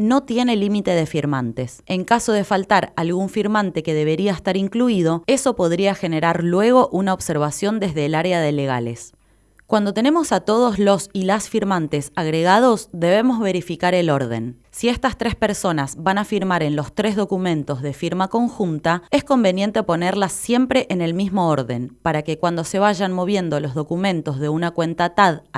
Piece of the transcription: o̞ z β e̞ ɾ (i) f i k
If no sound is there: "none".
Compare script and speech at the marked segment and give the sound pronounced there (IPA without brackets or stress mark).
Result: i